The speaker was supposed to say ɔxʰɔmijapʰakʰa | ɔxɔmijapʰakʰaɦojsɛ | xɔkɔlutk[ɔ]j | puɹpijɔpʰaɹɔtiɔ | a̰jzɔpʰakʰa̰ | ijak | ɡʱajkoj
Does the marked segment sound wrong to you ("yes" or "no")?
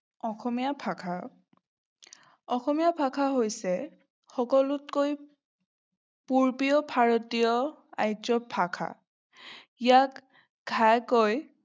yes